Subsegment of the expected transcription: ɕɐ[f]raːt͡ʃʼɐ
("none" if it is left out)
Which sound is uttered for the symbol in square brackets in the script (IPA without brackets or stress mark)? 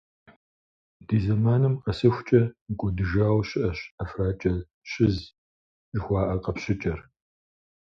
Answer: f